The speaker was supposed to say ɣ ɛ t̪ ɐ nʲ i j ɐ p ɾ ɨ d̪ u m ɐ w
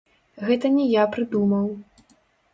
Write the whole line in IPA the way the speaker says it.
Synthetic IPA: ɣ ɛ t̪ ɐ nʲ ɛ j a p ɾ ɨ d̪ u m ɐ w